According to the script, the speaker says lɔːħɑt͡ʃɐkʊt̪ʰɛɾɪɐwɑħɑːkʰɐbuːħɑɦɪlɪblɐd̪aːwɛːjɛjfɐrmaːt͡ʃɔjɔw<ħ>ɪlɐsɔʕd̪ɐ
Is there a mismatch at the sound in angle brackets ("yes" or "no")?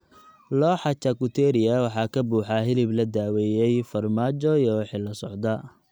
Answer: no